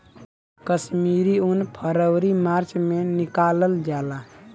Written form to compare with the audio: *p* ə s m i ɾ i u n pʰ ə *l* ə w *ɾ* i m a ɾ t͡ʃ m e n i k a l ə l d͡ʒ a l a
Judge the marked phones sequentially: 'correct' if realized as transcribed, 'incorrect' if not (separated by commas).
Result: incorrect, incorrect, correct